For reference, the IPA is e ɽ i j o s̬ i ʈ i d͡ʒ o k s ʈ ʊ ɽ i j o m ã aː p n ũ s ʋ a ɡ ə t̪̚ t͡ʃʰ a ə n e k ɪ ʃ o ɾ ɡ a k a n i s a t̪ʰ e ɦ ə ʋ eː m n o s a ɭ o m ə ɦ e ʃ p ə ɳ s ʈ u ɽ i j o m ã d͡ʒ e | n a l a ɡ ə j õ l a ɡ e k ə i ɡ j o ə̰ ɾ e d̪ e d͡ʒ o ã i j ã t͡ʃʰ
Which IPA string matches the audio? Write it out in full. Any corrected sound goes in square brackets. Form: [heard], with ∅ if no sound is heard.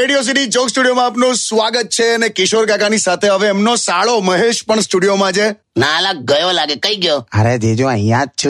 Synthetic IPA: e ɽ i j o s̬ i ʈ i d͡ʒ o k s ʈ [u] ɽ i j o m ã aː p n ũ s ʋ a ɡ ə t̪̚ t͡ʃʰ [e] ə n e k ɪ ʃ o ɾ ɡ a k a n i s a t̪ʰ e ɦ ə ʋ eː m n o s a ɭ o m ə ɦ e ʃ p ə ɳ s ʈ u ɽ i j o m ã d͡ʒ e | n a l a ɡ ə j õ l a ɡ e k ə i ɡ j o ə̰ ɾ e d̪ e d͡ʒ o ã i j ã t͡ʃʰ